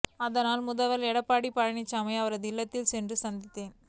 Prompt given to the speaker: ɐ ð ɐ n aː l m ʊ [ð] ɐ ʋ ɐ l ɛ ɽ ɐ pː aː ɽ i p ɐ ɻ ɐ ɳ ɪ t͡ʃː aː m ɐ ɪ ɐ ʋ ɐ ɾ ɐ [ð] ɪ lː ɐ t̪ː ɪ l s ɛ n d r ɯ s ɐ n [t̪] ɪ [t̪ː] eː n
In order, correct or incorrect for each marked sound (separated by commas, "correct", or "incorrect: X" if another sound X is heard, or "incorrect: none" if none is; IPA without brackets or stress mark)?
correct, correct, incorrect: d̪, correct